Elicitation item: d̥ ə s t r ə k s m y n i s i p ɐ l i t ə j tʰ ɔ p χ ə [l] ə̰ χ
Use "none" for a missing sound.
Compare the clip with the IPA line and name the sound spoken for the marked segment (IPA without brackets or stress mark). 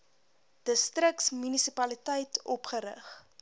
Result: ɾ